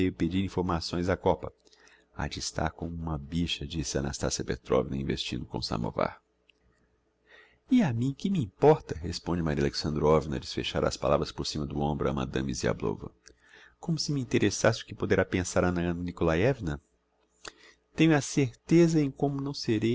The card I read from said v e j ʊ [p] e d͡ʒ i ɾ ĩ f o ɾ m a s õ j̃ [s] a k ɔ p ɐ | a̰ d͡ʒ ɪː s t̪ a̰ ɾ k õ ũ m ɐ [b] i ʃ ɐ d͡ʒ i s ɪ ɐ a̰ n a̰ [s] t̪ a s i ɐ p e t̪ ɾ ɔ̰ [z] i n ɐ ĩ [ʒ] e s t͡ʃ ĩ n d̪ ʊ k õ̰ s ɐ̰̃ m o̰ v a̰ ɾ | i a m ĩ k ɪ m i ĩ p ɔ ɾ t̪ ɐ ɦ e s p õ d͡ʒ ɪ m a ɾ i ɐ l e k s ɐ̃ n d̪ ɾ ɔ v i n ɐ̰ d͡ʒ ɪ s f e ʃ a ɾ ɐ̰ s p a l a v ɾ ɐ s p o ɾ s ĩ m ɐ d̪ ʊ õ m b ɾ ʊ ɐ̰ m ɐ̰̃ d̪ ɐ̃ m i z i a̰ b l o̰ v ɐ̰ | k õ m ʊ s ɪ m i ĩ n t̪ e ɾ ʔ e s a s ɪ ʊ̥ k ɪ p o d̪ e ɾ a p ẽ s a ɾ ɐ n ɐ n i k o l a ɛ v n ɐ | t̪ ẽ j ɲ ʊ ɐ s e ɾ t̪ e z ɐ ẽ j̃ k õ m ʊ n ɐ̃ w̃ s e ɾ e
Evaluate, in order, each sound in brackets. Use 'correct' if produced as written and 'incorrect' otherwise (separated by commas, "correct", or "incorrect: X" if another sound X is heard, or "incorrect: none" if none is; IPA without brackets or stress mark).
correct, incorrect: z, correct, correct, incorrect: v, incorrect: v